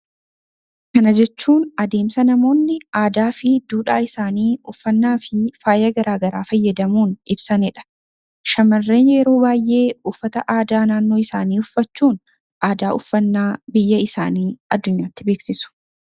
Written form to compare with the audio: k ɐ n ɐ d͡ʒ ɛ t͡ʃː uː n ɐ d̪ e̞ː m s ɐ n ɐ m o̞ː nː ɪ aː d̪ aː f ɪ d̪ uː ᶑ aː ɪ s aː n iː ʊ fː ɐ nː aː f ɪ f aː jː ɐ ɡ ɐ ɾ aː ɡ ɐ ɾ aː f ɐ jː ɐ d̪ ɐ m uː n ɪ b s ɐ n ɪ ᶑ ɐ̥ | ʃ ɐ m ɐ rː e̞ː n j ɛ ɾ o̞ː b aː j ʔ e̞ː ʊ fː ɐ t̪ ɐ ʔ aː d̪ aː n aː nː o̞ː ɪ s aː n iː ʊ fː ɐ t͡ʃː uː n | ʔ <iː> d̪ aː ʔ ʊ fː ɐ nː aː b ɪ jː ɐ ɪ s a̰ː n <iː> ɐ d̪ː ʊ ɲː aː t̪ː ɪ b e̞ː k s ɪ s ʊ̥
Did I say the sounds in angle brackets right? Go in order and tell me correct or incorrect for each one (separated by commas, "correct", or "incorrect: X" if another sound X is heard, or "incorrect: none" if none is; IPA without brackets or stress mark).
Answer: incorrect: aː, correct